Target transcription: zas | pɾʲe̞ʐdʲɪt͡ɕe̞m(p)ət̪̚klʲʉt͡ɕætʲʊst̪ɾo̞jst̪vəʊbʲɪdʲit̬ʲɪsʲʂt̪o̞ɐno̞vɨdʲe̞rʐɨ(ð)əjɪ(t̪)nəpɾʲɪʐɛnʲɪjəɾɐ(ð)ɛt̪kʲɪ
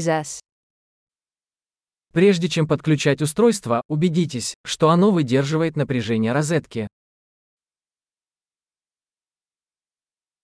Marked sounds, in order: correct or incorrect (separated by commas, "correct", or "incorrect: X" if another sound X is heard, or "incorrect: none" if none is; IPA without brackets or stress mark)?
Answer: correct, incorrect: v, correct, incorrect: z